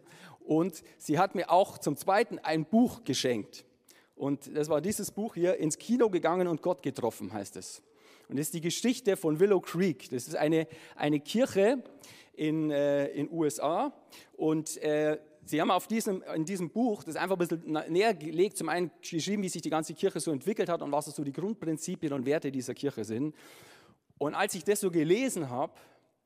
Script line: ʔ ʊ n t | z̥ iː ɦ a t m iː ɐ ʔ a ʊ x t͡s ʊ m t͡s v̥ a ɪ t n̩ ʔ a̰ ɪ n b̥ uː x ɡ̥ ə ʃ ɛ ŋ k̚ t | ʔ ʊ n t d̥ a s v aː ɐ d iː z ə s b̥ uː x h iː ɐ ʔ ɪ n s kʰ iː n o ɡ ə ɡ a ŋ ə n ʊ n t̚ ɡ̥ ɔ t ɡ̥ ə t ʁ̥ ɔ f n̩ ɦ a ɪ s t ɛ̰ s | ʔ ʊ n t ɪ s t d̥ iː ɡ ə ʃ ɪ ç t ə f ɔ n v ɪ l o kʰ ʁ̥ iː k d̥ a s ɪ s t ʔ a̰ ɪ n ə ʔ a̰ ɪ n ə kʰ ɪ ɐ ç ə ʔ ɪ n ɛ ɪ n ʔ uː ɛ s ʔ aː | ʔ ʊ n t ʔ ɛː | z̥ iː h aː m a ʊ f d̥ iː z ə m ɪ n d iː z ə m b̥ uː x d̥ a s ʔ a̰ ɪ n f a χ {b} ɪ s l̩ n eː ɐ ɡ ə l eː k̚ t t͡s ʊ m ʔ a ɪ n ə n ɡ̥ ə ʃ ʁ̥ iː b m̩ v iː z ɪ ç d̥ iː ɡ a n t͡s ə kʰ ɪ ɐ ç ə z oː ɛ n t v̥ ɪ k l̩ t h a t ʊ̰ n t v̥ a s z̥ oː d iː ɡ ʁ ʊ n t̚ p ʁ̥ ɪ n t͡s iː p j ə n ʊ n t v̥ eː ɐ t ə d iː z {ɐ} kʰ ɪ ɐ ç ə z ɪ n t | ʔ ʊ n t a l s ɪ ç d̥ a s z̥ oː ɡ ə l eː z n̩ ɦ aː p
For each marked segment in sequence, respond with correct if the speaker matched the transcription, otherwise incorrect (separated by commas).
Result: correct, correct